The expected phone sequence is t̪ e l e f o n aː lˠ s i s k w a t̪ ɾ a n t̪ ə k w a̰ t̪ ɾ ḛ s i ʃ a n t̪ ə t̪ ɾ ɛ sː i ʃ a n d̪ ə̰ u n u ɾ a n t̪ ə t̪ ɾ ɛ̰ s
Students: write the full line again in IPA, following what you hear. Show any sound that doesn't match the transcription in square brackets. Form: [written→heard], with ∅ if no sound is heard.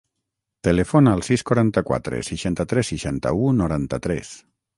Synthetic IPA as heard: t̪ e l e f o n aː lˠ s i s k w a [t̪→∅] ɾ a n t̪ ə k w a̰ t̪ ɾ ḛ s i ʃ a n t̪ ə t̪ ɾ ɛ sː i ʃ a n [d̪→t̪] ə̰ u n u ɾ a n t̪ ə t̪ ɾ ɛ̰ s